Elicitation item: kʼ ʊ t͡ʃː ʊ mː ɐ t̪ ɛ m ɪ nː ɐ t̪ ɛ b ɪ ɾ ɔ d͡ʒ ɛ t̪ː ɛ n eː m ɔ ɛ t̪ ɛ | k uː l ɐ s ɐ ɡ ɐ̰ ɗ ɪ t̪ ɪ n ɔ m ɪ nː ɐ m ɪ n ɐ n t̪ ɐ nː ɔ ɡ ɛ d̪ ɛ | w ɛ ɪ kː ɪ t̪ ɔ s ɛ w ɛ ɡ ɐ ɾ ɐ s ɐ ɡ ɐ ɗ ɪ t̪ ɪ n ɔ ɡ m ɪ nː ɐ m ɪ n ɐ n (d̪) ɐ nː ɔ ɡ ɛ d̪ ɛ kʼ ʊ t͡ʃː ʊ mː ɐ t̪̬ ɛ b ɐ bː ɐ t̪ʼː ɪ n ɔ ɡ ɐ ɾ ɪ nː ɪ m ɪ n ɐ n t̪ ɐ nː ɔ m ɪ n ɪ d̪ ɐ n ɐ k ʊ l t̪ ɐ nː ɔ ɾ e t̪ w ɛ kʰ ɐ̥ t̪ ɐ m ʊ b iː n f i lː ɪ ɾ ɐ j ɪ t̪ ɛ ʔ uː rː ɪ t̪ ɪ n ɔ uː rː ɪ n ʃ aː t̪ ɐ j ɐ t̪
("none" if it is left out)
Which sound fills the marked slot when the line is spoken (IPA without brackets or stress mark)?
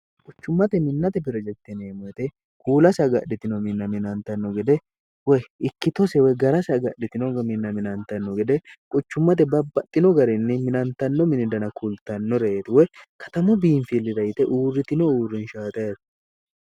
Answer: t̪